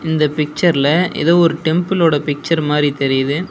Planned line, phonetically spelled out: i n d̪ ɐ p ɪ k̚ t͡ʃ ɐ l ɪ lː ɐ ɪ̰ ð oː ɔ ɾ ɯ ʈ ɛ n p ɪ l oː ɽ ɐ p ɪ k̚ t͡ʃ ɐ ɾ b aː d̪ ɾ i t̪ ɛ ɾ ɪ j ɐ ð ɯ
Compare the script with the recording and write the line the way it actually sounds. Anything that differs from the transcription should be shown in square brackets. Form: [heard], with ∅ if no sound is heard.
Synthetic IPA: [ɪ] n d̪ ɐ p ɪ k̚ t͡ʃ ɐ [ɾ] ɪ [l] ɐ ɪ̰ ð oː ɔ ɾ ɯ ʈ ɛ [m] p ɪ l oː ɽ ɐ p ɪ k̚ t͡ʃ ɐ ɾ [m] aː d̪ ɾ i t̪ ɛ ɾ ɪ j ɐ ð ɯ